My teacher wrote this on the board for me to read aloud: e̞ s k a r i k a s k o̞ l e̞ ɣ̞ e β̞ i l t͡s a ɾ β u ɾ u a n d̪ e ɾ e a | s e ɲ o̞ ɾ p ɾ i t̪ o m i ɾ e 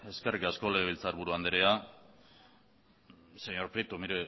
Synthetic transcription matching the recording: e̞ s k e r i k a s k o̞ l e̞ ɣ̞ e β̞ i l t͡s a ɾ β u ɾ u a n d̪ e ɾ e a | s e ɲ o̞ ɾ p ɾ i t̪ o m i ɾ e